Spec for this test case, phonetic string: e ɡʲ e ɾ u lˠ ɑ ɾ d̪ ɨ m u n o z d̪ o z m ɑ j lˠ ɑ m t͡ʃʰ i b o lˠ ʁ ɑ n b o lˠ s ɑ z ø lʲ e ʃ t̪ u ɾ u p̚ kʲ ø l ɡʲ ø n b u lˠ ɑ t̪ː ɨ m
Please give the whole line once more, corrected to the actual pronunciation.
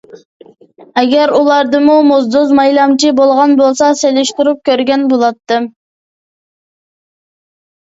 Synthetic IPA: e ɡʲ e ɾ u lˠ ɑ ɾ d̪ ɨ m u m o z d̪ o z m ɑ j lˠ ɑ m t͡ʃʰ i b o lˠ ʁ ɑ n b o lˠ s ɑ s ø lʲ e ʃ t̪ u ɾ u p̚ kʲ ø ɾ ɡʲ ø n b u lˠ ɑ t̪ː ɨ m